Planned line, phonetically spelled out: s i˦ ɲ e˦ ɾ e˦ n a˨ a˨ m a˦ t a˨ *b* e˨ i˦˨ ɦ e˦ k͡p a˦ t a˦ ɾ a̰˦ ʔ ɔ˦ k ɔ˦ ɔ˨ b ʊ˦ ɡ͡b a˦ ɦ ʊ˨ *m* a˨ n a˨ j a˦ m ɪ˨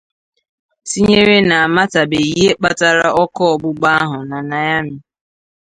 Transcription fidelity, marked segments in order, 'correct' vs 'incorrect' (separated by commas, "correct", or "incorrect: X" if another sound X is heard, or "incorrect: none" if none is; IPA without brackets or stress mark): correct, incorrect: n